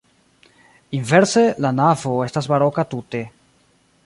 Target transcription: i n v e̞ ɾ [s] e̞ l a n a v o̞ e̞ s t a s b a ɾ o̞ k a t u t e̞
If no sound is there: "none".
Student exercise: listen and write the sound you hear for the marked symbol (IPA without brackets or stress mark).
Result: s